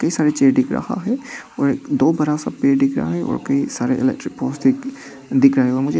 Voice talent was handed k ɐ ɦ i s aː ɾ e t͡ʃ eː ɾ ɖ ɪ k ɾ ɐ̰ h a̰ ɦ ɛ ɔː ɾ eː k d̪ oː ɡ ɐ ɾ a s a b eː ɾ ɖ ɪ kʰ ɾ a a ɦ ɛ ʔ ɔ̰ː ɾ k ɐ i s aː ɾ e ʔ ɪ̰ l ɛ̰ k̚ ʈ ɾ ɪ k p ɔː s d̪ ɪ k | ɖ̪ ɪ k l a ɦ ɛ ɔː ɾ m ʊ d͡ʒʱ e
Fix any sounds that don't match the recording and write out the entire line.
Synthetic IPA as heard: k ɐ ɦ i s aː ɾ e t͡ʃ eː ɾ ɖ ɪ k ɾ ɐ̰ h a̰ ɦ ɛ ɔː ɾ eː k d̪ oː b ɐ ɾ a s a p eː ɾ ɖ ɪ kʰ ɾ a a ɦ ɛ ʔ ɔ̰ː ɾ k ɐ i s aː ɾ e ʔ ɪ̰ l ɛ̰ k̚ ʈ ɾ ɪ k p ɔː s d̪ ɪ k | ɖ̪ ɪ k ɾ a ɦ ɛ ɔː ɾ m ʊ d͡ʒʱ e